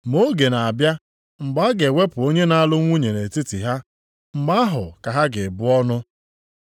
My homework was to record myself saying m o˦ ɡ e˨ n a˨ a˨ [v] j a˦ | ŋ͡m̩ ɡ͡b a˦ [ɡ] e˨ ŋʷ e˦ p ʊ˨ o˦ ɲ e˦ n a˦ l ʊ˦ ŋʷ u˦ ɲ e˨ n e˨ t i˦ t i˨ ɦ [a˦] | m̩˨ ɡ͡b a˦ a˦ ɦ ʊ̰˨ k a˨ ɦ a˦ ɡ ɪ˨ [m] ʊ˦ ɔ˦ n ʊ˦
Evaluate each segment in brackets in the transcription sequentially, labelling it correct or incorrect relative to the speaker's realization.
incorrect, correct, correct, incorrect

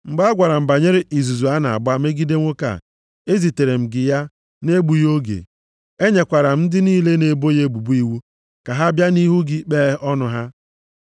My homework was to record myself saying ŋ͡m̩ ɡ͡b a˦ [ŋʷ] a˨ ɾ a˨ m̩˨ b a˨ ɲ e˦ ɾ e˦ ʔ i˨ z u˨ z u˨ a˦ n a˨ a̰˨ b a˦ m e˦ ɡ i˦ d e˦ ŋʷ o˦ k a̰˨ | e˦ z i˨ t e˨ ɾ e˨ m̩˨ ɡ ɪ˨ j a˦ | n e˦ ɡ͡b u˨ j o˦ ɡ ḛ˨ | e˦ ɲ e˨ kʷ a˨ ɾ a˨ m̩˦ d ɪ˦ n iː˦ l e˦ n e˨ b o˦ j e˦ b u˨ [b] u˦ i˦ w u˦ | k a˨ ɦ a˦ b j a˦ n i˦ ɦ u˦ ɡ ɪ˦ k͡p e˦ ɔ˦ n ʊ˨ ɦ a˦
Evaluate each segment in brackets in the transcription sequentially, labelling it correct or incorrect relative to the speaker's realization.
incorrect, correct

